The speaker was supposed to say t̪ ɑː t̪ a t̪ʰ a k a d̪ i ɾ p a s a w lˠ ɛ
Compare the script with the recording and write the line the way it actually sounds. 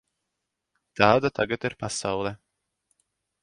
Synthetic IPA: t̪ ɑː d̪ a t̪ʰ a ɡ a t̪ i ɾ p a s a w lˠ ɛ